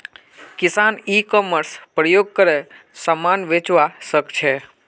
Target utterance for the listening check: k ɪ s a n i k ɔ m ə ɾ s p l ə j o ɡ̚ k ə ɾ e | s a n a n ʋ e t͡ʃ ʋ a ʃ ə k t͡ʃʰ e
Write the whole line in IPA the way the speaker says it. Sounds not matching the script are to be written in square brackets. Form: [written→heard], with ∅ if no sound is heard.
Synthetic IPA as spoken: k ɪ s a n i k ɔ m ə ɾ s p [l→ɾ] ə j o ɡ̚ k ə ɾ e | s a [n→m] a n ʋ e t͡ʃ ʋ a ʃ ə k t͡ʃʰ e